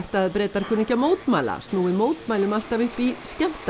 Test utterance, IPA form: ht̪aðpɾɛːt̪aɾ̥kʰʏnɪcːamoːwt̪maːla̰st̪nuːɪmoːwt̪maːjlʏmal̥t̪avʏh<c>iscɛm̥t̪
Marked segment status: incorrect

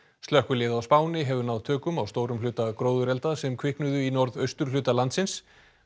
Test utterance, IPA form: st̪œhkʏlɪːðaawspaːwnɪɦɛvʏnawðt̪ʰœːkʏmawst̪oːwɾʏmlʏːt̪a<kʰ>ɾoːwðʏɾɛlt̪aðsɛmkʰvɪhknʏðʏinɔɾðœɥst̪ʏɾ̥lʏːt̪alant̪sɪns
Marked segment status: incorrect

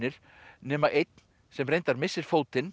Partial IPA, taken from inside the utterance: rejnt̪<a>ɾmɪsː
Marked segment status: correct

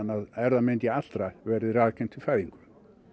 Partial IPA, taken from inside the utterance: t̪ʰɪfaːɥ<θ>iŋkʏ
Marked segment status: incorrect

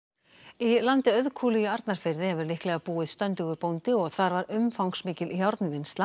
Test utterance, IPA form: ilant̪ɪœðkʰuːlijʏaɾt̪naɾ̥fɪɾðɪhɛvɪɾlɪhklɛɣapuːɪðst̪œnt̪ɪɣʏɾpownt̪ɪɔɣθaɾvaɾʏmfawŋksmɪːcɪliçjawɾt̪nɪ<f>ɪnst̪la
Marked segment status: incorrect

